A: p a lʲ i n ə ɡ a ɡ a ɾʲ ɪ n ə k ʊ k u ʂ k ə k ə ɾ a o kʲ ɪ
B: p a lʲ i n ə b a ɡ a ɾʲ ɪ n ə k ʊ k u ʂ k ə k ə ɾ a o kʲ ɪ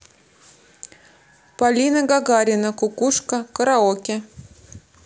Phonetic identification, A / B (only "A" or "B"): A